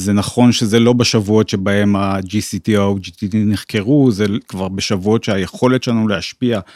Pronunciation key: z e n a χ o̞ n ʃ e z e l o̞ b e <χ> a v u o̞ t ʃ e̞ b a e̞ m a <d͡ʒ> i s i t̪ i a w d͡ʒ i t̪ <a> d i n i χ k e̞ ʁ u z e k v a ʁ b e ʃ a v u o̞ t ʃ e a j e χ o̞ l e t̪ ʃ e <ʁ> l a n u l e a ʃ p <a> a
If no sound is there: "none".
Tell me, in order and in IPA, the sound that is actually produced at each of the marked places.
ʃ, d͡ʒ, i, none, i

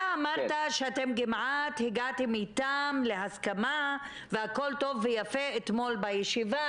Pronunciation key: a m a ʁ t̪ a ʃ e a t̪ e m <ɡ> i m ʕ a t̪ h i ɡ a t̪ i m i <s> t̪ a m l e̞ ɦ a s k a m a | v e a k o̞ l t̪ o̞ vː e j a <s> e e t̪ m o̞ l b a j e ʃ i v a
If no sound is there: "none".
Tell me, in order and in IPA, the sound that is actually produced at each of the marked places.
ɡ, none, f

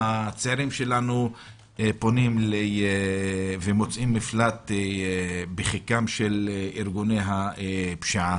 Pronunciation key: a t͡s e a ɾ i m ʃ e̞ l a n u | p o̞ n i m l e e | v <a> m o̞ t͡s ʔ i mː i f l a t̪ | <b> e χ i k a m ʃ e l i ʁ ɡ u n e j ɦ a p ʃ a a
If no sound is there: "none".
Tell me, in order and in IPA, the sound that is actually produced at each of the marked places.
e, b

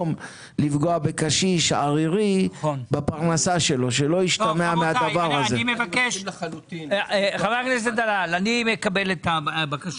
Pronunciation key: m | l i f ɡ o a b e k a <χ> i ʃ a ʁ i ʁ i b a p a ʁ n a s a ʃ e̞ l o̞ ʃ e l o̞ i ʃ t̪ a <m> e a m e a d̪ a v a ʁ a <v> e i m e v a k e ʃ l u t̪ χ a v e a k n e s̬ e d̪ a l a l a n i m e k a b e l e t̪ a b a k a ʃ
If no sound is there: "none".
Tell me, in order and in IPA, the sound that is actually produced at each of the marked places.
ʃ, m, z

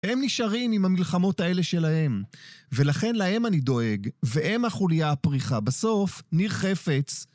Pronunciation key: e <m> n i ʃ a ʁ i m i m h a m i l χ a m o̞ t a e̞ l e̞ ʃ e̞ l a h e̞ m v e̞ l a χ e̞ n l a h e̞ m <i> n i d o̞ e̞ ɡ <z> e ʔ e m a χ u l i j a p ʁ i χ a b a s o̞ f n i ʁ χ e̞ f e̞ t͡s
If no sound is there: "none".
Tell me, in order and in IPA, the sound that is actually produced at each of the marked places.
m, a, v

